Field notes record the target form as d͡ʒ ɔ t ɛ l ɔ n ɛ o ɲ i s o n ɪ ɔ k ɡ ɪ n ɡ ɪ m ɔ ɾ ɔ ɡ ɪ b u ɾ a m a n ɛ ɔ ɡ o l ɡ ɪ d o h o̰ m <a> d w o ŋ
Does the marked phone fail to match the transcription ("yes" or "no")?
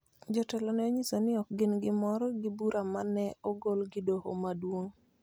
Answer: no